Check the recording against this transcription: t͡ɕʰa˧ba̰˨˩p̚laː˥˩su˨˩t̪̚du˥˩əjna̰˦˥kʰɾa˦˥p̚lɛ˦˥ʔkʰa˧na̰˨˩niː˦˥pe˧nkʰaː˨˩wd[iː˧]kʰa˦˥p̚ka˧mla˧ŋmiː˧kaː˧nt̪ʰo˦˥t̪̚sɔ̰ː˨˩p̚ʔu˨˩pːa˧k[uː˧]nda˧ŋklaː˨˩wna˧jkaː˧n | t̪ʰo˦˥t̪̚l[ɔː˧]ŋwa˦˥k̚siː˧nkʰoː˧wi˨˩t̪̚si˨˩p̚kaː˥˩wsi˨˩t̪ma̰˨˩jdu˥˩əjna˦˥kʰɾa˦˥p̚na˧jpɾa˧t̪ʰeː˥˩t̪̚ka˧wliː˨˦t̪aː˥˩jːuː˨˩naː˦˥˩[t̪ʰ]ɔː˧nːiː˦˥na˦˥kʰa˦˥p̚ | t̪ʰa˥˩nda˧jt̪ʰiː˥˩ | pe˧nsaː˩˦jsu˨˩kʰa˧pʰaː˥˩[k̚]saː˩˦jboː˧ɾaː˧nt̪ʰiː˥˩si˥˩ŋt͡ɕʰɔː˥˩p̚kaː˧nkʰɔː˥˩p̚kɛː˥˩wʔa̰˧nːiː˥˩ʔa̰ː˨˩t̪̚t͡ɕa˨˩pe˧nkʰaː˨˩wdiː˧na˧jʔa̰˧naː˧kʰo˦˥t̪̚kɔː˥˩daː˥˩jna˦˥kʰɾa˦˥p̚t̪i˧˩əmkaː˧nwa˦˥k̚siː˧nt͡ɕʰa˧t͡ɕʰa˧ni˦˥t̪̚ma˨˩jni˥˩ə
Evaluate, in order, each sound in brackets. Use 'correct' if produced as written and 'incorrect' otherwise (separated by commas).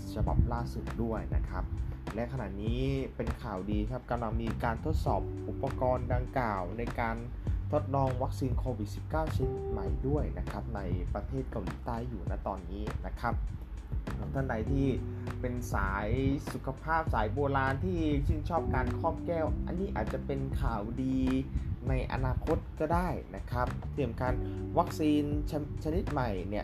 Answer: correct, incorrect, correct, incorrect, incorrect